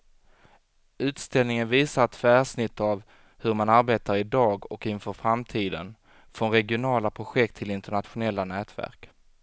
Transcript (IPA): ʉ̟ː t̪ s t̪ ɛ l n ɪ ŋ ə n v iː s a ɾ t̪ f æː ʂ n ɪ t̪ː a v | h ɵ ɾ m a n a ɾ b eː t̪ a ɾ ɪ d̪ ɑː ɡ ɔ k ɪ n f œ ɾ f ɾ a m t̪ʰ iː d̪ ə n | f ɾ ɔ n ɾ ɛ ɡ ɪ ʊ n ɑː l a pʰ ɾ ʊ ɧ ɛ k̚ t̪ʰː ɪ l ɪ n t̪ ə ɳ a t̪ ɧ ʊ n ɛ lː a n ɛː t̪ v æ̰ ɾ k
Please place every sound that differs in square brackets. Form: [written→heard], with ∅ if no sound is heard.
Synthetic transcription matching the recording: ʉ̟ː t̪ s t̪ ɛ l n ɪ ŋ ə n v iː s a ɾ t̪ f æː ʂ n ɪ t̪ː a v | h ɵ ɾ m a n a ɾ b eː t̪ a ɾ ɪ d̪ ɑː ɡ ɔ k ɪ n f œ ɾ f ɾ a m t̪ʰ iː d̪ ə n | f ɾ ɔ n ɾ ɛ ɡ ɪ ʊ n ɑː l a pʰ ɾ ʊ ɧ ɛ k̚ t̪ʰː ɪ l ɪ n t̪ ə ɳ a t̪ ɧ ʊ n ɛ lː a n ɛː t̪ v æ̰ ɾ k